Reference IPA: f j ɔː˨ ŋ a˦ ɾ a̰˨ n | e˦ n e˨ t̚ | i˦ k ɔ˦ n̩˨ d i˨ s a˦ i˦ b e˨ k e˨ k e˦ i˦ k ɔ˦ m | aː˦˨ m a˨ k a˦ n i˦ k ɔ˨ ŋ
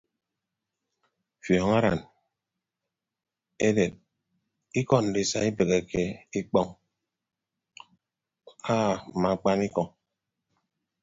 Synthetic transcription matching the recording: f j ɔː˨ ŋ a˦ ɾ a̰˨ n | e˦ d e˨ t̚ | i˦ k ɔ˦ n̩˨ d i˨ s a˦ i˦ b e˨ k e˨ k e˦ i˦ k͡p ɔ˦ ŋ | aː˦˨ m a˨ k͡p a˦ n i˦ k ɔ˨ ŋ

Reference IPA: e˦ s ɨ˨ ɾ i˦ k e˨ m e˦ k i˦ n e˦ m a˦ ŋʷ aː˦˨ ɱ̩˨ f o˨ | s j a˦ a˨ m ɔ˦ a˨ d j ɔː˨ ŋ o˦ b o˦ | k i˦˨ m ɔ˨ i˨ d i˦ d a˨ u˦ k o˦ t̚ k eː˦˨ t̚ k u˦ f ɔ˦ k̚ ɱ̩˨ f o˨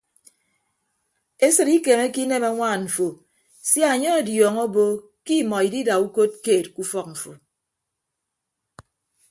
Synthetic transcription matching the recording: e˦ s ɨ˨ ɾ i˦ k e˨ m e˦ k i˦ n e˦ m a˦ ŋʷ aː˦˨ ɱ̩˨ f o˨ | s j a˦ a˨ ɲ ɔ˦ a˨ d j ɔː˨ ŋ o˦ b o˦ | k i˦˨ m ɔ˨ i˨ d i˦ d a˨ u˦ k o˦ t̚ k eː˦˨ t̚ k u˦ f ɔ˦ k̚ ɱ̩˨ f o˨

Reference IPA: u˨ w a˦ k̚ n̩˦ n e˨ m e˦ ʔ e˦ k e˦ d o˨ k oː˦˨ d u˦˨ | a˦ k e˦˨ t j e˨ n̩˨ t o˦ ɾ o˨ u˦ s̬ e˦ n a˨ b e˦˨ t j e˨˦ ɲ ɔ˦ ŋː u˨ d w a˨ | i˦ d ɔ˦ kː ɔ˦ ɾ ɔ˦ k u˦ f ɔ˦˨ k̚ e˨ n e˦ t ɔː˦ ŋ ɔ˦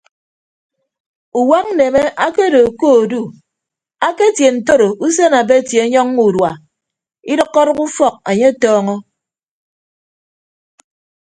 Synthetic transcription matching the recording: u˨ w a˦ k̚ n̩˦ n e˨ m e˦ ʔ a˦ k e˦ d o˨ k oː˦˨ d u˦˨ | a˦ k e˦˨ t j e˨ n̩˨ t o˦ ɾ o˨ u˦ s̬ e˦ n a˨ b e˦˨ t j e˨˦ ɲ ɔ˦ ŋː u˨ d w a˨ | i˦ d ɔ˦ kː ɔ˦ ɾ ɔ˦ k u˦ f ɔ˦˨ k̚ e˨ ɲ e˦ t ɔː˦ ŋ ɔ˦

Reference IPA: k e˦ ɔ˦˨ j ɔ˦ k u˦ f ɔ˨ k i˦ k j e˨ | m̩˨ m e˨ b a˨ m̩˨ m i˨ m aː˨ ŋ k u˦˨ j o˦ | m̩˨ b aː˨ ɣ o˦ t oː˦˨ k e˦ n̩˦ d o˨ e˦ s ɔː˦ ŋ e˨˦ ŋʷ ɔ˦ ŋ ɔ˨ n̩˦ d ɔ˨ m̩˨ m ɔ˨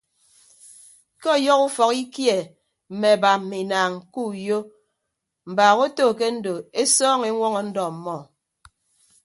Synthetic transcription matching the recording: k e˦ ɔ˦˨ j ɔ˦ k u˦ f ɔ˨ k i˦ k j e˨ | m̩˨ m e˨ b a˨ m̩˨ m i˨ n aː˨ ŋ k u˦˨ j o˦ | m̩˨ b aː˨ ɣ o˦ t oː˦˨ k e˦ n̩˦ d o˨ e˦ s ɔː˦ ŋ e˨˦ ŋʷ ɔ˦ ŋ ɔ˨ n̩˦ d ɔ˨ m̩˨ m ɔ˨

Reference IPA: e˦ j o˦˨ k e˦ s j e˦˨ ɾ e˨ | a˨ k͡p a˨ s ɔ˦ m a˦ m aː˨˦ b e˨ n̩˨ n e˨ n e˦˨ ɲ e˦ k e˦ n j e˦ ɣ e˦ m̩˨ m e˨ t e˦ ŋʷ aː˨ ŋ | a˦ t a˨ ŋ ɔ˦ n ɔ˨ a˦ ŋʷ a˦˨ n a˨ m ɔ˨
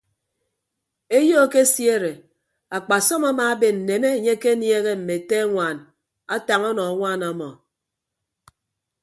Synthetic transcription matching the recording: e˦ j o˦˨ k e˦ s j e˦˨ ɾ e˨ | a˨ k͡p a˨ s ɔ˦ m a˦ m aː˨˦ b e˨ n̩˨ n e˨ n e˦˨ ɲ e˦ k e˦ n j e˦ ɣ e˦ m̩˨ m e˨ t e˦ ŋʷ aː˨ n | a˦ t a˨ ŋ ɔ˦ n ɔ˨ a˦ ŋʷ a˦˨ n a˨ m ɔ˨

